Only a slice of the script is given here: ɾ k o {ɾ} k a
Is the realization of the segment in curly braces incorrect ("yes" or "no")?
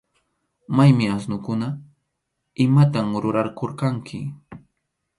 no